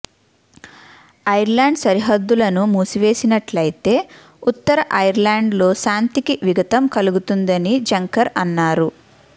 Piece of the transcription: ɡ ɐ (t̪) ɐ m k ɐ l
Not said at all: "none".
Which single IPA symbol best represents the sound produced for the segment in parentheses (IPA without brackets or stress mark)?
t̪